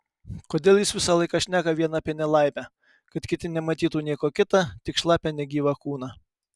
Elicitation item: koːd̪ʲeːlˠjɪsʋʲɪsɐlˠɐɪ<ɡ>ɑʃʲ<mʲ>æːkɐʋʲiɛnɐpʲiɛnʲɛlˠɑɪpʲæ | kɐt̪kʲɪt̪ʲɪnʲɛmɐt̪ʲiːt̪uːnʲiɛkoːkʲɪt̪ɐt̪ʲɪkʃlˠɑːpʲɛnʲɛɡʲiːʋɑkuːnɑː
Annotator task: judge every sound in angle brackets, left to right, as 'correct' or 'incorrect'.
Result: incorrect: k, incorrect: nʲ

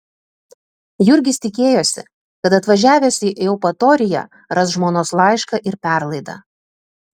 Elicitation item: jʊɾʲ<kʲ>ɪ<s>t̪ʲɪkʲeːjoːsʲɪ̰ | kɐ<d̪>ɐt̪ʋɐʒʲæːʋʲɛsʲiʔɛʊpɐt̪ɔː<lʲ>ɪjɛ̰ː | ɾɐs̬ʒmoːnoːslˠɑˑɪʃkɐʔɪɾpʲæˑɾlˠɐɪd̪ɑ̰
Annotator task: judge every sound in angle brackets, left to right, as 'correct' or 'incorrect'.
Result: incorrect: ɡʲ, correct, incorrect: t̪, incorrect: ɾʲ

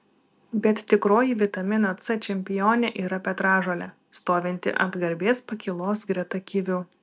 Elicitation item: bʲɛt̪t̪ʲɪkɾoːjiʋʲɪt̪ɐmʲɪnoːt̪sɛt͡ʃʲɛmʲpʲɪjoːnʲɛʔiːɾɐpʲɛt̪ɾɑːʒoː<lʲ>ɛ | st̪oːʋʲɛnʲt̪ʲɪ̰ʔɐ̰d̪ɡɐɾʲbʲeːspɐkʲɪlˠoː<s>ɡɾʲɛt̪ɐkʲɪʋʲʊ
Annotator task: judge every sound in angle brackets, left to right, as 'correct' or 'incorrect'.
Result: correct, correct

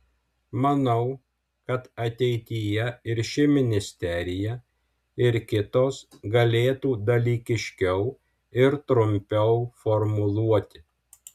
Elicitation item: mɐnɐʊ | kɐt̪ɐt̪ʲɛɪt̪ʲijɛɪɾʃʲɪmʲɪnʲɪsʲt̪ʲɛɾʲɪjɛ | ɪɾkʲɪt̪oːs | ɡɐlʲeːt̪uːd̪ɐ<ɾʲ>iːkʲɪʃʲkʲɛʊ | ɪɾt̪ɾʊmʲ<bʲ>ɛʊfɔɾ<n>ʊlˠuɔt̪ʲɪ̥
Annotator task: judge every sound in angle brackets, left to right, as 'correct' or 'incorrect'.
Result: incorrect: lʲ, incorrect: pʲ, incorrect: m

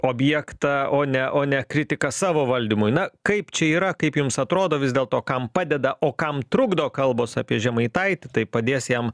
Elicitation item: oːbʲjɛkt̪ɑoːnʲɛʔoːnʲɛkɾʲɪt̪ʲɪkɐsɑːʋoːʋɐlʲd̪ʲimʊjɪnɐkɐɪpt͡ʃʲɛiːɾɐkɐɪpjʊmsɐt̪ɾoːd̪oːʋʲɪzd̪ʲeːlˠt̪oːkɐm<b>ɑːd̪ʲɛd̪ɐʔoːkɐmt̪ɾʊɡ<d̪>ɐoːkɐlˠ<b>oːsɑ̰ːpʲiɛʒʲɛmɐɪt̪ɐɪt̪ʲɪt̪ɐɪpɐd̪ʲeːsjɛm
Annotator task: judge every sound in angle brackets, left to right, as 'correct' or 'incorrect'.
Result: incorrect: p, correct, correct

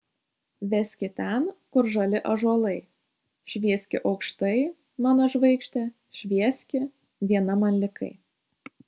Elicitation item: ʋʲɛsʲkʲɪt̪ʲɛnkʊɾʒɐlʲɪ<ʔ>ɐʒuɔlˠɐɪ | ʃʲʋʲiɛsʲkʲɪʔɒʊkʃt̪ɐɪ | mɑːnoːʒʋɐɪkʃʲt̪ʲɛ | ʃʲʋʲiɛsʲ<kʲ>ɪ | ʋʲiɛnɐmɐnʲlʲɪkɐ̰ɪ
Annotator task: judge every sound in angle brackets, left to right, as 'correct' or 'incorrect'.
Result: correct, correct

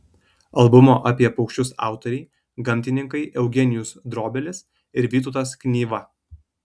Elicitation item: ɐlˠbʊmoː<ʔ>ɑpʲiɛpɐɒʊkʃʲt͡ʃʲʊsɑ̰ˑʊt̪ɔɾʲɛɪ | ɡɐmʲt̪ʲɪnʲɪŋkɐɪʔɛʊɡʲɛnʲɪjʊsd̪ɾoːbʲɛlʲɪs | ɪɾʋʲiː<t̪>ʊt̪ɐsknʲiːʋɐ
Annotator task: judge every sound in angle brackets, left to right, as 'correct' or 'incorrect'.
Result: correct, correct

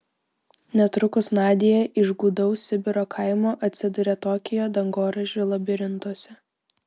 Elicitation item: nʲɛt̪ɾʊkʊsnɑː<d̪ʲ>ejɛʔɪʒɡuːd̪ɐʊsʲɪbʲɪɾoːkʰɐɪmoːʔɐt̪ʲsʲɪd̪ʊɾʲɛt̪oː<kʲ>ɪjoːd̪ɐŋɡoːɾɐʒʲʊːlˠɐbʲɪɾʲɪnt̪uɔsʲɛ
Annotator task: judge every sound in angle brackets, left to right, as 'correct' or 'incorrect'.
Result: correct, correct

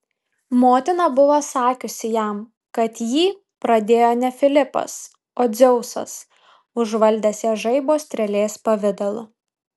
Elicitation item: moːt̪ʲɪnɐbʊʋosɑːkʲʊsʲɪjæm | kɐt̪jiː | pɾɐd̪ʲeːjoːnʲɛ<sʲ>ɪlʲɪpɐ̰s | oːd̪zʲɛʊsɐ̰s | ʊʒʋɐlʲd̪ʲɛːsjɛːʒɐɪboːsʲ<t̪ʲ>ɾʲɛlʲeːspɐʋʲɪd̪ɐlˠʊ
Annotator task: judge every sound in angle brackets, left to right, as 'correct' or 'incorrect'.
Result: incorrect: fʲ, correct

